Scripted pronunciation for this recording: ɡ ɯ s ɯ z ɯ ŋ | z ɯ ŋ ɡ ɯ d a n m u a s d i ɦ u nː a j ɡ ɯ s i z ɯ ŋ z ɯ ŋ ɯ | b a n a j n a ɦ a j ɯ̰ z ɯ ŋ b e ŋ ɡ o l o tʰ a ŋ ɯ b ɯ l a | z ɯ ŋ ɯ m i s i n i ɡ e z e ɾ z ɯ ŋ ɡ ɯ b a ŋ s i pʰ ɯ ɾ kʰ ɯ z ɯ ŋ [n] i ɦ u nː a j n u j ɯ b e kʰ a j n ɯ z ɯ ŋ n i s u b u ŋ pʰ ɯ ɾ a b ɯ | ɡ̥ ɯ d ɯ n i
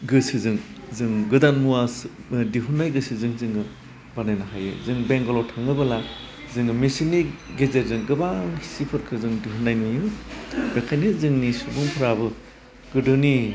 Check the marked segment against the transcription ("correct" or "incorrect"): incorrect